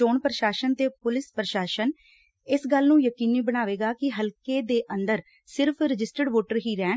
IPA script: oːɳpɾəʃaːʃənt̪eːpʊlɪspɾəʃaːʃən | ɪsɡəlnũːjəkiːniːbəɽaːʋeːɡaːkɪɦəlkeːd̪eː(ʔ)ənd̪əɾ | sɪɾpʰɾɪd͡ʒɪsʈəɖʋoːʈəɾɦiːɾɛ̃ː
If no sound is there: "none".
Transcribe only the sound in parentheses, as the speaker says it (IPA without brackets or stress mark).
ʔ